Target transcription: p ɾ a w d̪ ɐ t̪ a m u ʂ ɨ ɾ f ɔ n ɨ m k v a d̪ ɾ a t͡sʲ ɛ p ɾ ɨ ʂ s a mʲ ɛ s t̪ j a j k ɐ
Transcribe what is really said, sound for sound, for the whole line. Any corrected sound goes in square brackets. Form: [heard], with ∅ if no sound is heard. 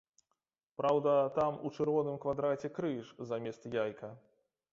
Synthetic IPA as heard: p ɾ a w d̪ ɐ t̪ a m u [t͡ʂ] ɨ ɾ [v] ɔ n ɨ m k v a d̪ ɾ a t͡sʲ ɛ [k] ɾ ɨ ʂ [z] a mʲ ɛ s t̪ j a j k ɐ